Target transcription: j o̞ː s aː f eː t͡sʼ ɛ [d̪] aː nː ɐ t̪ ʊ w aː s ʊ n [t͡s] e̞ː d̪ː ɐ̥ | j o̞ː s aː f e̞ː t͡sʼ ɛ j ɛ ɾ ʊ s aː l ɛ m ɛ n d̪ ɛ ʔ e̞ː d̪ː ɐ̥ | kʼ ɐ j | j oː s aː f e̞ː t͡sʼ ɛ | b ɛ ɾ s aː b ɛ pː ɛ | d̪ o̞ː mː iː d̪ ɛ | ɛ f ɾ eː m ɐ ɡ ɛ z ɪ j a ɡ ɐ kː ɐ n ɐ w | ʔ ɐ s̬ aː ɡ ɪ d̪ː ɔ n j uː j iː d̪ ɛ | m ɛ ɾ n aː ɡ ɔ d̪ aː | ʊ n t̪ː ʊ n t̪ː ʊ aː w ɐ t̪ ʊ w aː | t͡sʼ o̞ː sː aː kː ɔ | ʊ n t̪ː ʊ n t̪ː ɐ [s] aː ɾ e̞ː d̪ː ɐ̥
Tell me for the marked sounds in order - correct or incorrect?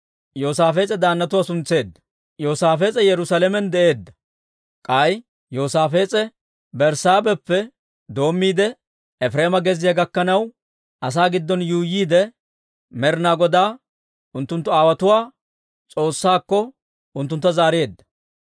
correct, correct, incorrect

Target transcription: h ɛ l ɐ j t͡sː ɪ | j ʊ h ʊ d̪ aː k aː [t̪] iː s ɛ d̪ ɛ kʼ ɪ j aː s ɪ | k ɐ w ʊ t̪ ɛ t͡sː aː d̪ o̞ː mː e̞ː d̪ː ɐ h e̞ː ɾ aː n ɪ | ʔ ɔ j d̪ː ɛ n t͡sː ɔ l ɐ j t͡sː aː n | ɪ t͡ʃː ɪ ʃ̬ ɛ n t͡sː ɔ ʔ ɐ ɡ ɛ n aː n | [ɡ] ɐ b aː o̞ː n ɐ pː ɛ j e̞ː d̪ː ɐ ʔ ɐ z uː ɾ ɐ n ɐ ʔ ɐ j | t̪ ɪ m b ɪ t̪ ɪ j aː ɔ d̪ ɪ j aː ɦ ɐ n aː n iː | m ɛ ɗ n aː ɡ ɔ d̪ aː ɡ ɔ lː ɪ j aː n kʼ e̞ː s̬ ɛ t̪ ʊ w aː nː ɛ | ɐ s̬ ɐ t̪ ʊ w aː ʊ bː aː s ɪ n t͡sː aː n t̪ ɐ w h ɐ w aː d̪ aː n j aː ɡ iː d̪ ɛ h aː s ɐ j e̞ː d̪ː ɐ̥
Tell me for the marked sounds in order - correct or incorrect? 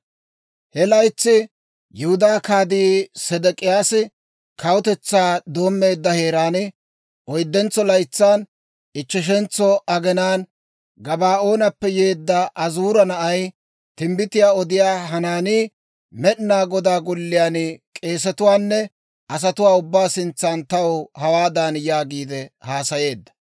incorrect, correct

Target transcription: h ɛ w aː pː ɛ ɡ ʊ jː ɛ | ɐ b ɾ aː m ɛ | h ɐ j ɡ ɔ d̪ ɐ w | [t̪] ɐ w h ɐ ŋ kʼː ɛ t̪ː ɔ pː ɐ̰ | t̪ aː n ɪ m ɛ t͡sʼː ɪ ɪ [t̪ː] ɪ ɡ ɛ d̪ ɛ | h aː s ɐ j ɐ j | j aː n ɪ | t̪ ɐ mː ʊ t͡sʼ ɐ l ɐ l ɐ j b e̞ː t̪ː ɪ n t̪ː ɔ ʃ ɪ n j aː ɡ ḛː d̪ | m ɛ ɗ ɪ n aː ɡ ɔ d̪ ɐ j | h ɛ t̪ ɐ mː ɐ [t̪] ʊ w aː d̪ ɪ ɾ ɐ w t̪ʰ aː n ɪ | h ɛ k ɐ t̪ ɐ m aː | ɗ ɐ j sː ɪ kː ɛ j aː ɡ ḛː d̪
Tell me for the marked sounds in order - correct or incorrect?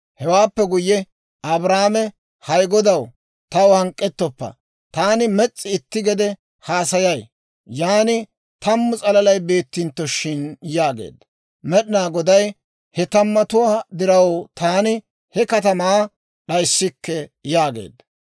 correct, correct, correct

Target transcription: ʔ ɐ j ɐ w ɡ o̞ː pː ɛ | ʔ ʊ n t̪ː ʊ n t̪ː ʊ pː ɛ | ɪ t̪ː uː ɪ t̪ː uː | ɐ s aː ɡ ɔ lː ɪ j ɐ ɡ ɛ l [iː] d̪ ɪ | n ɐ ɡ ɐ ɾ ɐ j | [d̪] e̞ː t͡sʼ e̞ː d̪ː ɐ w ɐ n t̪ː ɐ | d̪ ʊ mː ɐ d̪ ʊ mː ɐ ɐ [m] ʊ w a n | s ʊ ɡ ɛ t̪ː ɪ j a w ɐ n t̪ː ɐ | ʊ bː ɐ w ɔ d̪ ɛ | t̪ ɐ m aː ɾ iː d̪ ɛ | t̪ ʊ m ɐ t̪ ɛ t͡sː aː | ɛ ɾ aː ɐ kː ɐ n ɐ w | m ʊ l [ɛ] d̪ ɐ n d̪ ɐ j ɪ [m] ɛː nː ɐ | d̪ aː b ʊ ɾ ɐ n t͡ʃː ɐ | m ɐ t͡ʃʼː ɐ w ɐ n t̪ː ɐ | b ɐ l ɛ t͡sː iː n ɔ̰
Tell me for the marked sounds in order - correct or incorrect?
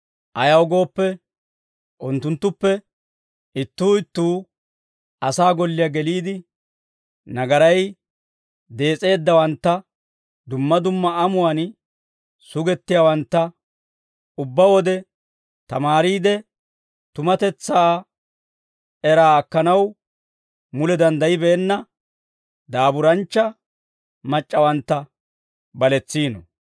correct, correct, correct, correct, incorrect

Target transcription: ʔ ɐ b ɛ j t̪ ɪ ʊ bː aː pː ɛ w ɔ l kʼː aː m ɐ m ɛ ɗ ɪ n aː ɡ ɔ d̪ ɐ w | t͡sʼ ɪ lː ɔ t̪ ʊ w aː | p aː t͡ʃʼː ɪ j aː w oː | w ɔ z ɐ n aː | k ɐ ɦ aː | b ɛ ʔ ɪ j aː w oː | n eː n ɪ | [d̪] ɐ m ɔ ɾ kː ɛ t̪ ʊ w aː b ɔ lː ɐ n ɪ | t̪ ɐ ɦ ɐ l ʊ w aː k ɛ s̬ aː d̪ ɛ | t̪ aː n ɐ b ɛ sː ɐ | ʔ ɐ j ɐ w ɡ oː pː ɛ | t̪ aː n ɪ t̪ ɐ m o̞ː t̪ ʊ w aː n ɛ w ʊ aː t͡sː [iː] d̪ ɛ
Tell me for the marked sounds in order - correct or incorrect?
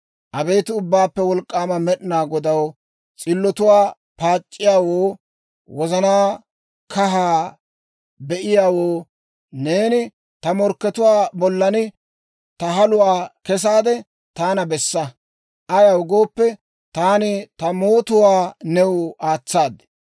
incorrect, incorrect

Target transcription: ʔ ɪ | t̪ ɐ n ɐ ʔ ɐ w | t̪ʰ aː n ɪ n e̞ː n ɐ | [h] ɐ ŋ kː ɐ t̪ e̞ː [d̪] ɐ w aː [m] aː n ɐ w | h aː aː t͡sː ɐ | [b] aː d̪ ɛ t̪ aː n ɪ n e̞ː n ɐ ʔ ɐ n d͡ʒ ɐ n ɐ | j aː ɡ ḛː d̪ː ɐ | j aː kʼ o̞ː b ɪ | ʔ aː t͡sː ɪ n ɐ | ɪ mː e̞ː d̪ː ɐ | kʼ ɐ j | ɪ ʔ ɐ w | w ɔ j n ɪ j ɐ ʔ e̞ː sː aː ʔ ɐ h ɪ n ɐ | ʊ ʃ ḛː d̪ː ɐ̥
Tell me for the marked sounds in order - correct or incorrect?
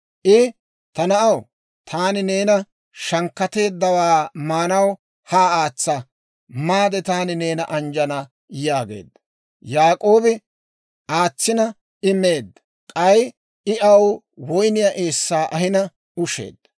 incorrect, incorrect, correct, incorrect

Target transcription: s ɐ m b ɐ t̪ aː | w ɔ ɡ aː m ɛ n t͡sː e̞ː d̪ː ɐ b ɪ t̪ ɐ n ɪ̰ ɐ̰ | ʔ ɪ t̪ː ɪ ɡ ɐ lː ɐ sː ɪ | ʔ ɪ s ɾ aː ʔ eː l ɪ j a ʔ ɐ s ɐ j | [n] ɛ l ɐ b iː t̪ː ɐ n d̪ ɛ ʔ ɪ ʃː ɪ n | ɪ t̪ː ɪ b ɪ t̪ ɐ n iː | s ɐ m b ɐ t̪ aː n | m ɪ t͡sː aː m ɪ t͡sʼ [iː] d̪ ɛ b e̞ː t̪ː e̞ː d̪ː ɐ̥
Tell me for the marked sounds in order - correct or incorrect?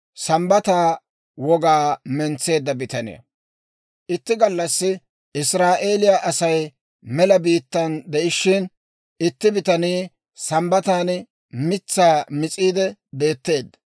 incorrect, correct

